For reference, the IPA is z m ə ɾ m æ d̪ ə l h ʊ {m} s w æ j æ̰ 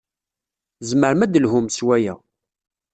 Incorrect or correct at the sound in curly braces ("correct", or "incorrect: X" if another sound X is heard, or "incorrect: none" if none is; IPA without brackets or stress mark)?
correct